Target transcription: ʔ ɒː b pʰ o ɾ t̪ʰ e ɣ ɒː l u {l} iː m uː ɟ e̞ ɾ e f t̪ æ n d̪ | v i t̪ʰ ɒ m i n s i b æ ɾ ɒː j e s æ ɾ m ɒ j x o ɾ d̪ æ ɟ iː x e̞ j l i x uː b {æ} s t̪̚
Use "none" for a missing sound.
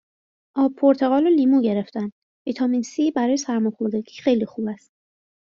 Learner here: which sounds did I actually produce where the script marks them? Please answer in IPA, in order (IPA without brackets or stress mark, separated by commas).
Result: l, æ